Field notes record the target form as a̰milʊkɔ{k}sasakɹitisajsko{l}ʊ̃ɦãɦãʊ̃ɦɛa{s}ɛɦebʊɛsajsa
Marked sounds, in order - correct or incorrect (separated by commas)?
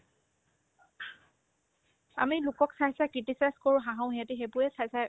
correct, incorrect, incorrect